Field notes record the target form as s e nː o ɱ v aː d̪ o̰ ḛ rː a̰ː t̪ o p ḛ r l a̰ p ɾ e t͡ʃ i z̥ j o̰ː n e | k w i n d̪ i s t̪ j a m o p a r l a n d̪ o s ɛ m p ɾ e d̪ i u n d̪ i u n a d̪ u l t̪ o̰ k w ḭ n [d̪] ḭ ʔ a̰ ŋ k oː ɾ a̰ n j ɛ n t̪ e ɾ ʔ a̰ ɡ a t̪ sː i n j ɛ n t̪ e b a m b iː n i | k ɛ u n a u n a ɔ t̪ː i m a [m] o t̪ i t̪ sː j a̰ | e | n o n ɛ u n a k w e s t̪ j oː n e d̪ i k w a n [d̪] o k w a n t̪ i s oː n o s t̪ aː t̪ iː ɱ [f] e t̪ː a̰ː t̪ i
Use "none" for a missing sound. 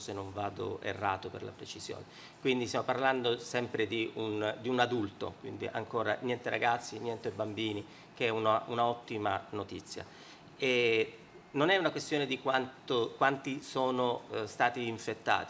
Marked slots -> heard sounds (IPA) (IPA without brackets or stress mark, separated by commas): d̪, n, t̪, f